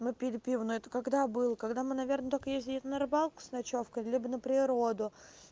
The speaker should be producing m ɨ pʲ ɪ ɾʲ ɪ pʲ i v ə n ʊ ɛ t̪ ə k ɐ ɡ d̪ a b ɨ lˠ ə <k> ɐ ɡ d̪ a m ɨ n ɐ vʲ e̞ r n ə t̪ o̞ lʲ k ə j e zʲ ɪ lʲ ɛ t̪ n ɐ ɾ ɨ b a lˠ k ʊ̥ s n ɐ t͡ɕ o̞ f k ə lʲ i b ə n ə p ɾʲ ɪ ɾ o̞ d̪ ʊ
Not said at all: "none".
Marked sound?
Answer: k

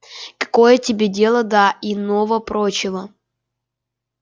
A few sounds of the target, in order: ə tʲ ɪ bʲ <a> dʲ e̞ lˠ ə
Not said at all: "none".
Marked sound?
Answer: e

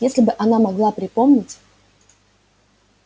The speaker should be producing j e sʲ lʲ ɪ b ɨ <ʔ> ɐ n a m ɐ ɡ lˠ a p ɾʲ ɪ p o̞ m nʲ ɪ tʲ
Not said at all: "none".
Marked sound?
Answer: ʔ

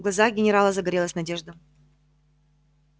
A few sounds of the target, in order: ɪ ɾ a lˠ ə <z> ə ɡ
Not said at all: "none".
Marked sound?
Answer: z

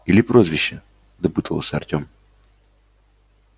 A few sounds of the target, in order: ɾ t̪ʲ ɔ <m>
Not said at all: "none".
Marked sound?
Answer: m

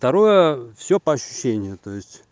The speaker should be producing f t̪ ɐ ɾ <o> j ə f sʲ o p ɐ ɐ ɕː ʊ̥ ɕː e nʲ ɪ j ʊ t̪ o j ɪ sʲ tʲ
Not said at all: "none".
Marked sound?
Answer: o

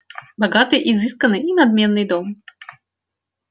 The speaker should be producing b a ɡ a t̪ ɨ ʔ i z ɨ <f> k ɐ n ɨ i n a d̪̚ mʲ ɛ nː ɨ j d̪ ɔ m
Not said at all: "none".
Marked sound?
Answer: s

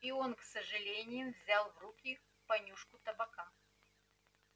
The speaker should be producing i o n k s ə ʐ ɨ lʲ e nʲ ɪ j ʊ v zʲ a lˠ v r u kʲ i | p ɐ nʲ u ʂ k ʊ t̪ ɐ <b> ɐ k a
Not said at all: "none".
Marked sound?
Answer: b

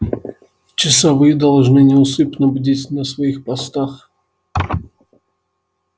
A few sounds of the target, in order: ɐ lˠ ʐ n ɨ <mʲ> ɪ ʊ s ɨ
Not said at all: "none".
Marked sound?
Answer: nʲ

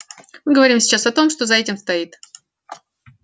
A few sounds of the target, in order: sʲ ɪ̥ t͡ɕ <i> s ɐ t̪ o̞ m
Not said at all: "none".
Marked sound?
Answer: a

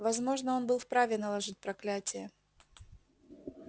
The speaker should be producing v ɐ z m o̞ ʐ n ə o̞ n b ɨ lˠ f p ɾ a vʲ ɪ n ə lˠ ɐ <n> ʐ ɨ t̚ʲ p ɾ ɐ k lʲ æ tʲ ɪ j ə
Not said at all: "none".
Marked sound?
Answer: none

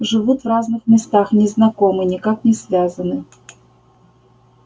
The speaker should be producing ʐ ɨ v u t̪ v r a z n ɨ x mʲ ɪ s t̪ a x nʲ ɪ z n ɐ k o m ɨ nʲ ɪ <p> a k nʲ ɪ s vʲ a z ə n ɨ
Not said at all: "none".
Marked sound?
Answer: k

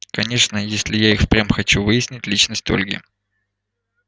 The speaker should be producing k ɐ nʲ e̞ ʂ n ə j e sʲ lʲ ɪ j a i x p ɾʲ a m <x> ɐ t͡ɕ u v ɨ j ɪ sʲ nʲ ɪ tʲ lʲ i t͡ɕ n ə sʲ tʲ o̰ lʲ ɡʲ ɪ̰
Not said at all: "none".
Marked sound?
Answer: x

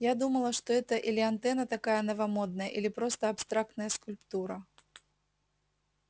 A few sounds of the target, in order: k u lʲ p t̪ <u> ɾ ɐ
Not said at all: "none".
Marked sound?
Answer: u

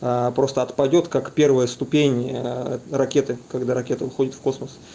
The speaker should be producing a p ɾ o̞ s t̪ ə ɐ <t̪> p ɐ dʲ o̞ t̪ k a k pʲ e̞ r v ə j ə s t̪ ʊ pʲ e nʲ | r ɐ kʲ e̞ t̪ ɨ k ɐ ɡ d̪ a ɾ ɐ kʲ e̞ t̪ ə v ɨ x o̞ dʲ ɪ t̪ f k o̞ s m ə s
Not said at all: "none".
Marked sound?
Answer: t̪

